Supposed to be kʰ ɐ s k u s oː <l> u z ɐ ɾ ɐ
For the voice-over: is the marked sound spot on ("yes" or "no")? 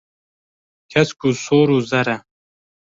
no